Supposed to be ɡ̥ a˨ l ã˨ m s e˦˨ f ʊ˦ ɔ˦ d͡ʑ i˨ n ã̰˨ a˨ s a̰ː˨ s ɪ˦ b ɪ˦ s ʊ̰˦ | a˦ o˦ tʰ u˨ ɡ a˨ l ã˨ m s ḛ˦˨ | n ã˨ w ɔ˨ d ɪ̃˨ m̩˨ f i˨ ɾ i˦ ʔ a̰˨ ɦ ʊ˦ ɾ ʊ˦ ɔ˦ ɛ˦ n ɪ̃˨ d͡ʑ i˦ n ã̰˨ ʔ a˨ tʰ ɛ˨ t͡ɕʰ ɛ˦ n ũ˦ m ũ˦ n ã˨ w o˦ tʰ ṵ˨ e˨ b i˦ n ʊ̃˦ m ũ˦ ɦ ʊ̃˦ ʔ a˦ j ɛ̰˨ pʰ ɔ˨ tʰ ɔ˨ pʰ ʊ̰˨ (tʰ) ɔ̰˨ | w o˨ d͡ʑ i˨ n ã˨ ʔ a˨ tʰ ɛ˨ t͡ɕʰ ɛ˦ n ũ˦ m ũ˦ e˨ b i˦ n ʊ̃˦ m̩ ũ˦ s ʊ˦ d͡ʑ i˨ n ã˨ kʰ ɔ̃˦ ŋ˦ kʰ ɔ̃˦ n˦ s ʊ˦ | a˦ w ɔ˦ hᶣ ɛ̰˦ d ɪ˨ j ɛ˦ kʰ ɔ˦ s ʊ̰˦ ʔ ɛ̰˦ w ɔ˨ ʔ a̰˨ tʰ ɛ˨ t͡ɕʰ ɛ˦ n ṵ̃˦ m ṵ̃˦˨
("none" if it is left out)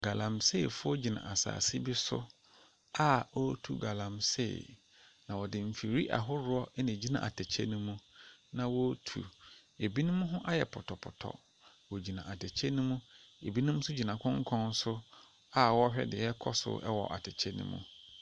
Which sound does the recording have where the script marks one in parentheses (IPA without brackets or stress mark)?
tʰ